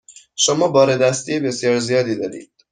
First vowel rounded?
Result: yes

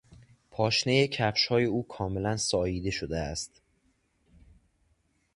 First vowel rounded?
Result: yes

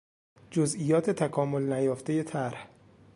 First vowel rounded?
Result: yes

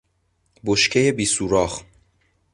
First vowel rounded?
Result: yes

